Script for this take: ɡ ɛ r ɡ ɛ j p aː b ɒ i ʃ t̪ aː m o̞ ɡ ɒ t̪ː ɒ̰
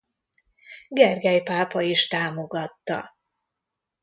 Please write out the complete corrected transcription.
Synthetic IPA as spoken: ɡ ɛ r ɡ ɛ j p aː p ɒ i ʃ t̪ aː m o̞ ɡ ɒ t̪ː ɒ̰